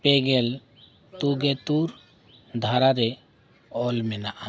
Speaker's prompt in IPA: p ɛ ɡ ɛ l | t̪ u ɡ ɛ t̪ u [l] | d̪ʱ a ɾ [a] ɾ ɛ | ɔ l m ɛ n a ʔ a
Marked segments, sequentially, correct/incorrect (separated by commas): incorrect, correct